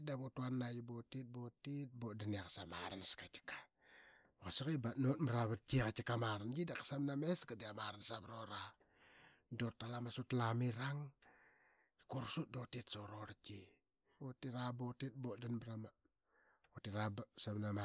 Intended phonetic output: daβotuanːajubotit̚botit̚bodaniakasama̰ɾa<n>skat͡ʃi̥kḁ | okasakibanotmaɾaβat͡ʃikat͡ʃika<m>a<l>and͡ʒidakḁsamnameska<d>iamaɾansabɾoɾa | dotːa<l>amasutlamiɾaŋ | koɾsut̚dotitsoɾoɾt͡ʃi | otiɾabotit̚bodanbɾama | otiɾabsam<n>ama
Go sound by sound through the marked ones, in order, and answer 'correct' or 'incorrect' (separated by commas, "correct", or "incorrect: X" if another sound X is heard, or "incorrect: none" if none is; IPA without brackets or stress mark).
correct, correct, incorrect: ɾ, correct, correct, correct